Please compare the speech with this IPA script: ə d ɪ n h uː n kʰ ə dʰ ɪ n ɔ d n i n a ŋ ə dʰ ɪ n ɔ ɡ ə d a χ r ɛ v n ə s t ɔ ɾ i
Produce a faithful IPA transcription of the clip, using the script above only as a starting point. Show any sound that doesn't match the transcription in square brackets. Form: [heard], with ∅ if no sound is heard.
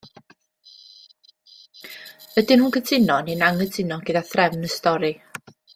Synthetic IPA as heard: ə d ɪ n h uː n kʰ ə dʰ ɪ n ɔ [∅] n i n a ŋ ə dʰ ɪ n ɔ ɡ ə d a [θ] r ɛ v n ə s t ɔ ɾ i